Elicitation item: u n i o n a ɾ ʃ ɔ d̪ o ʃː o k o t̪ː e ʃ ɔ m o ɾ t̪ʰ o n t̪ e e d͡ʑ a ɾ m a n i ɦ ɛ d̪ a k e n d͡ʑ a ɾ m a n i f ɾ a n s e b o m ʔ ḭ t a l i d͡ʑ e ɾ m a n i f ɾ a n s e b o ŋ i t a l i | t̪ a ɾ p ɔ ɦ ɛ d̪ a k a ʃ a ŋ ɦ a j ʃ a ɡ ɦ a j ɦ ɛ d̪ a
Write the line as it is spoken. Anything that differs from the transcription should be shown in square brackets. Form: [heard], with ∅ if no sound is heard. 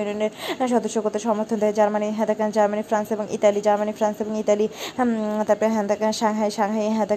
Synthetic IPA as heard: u n i o n [e] ɾ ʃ ɔ d̪ o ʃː o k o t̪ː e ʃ ɔ m o ɾ t̪ʰ o n [d̪] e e d͡ʑ a ɾ m a n i ɦ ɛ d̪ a k [a] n d͡ʑ a ɾ m a n i f ɾ a n s e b o [ŋ] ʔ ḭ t a l i d͡ʑ [a] ɾ m a n i f ɾ a n s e b o ŋ i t a l i | t̪ a ɾ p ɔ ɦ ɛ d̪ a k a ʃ a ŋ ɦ a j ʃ a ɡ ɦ a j ɦ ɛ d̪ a